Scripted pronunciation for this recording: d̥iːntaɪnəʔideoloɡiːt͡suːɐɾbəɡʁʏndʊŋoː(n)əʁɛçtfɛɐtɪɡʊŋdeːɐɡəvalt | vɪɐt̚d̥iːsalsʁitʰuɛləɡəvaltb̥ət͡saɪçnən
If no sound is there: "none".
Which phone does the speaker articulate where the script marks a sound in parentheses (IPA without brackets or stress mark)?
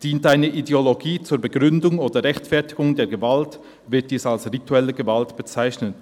d